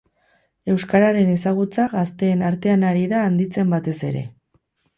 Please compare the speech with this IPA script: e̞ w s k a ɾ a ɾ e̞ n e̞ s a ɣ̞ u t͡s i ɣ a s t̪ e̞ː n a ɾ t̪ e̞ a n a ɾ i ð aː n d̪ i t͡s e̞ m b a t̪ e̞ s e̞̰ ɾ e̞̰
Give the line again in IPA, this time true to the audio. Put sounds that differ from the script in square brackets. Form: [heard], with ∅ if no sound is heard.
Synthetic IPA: e̞ w s k a ɾ a ɾ e̞ n e̞ s a ɣ̞ u t͡s [a] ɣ a s t̪ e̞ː n a ɾ t̪ e̞ a n a ɾ i ð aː n d̪ i t͡s e̞ m b a t̪ e̞ s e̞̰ ɾ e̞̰